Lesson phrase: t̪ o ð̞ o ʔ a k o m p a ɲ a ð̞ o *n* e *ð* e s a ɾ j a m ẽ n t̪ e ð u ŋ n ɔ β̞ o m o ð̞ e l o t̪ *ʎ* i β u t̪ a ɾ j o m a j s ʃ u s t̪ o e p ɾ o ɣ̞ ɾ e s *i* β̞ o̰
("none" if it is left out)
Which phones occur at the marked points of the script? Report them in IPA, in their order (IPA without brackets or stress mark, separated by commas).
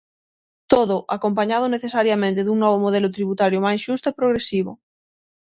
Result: n, θ, ɾ, i